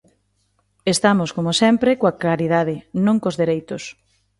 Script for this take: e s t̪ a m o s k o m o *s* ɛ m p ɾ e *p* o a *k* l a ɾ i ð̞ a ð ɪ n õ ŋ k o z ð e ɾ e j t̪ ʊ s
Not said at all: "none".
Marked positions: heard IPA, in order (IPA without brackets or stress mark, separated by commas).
s, k, k